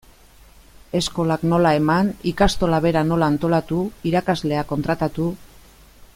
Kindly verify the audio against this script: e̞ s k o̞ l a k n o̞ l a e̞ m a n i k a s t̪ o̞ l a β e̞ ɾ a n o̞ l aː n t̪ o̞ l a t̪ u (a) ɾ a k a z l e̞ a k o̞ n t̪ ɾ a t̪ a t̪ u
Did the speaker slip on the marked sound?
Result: yes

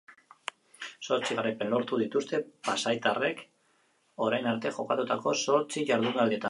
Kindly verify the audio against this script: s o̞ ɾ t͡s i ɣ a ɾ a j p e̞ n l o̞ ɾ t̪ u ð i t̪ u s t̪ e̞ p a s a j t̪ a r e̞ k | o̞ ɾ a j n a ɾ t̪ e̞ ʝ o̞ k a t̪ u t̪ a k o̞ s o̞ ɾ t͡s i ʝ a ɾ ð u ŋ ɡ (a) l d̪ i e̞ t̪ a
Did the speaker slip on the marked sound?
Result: no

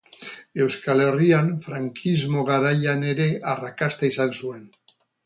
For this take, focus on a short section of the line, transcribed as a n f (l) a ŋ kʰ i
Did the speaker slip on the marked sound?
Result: yes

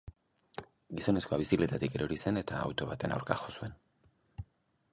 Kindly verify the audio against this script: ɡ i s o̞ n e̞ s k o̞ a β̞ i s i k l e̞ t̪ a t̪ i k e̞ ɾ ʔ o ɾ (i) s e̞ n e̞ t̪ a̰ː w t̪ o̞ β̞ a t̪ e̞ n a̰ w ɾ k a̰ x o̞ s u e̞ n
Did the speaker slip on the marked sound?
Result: no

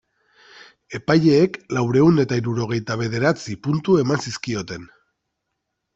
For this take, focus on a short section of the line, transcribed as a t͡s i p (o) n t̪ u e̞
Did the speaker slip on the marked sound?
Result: yes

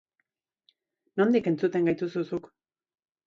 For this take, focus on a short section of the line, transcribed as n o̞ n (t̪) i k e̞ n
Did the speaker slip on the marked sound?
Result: yes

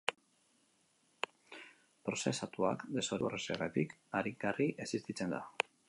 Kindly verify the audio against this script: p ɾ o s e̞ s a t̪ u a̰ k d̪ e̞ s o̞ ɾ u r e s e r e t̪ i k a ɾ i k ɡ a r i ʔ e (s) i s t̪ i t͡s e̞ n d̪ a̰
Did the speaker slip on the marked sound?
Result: no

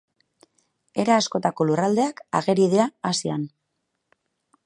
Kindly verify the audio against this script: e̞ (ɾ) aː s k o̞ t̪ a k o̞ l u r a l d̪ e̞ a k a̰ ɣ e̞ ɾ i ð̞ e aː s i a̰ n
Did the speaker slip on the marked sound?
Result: no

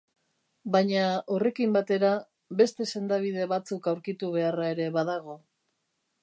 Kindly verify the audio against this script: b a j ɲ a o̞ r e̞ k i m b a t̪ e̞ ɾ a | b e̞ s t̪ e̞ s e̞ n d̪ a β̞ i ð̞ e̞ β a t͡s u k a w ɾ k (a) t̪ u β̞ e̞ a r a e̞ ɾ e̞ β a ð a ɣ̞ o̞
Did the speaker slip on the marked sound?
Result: yes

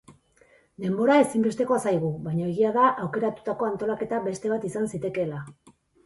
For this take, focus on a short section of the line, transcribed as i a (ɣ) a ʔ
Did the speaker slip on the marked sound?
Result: yes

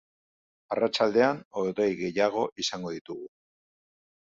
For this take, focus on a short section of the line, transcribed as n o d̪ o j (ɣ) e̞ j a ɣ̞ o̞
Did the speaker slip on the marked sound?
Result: no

